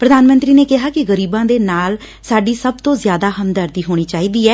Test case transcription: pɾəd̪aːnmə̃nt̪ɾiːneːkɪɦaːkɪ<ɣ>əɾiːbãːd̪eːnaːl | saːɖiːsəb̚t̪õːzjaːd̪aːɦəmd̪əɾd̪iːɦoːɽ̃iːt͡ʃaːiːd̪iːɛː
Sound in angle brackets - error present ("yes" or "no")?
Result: no